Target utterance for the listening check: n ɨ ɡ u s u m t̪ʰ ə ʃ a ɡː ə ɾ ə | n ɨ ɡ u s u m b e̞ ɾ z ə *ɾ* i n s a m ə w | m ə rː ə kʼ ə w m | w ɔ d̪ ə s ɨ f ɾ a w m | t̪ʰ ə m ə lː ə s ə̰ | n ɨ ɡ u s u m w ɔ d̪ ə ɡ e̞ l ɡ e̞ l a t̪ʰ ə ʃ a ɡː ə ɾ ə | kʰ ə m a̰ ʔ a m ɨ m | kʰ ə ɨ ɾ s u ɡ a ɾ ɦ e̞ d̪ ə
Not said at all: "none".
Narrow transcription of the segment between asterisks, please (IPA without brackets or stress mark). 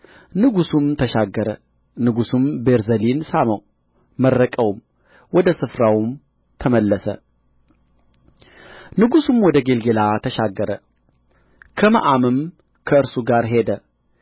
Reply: l